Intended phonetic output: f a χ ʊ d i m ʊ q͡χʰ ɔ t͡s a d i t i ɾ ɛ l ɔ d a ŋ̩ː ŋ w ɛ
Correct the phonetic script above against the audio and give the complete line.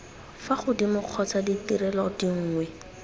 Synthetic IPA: f a χ ʊ d i m ʊ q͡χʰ ɔ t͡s a d i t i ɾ ɛ l ɔ d i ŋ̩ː ŋ w ɛ